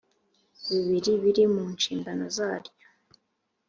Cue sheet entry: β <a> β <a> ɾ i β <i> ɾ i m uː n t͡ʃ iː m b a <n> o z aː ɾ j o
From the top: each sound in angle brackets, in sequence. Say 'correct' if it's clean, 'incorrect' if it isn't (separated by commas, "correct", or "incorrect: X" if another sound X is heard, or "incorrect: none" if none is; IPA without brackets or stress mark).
incorrect: i, incorrect: i, correct, correct